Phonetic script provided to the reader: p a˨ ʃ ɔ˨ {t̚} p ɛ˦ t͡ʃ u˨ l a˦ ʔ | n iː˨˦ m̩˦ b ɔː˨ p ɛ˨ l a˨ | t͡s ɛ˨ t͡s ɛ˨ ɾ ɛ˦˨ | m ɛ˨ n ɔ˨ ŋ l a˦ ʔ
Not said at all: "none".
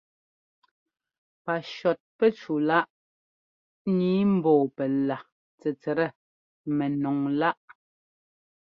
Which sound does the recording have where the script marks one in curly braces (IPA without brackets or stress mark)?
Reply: t̚